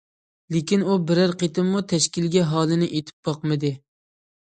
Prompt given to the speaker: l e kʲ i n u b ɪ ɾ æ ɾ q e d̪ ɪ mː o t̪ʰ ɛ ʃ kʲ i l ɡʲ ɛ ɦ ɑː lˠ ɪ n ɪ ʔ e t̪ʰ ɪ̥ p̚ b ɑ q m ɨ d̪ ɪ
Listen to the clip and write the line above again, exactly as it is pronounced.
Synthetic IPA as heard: l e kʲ i n u b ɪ ɾ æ ɾ q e t̪ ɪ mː u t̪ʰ ɛ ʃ kʲ i l ɡʲ ɛ ɦ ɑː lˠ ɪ n ɪ ʔ e t̪ʰ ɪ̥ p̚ b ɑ q m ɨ d̪ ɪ